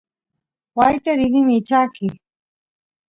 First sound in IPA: w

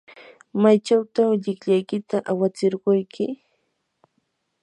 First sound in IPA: m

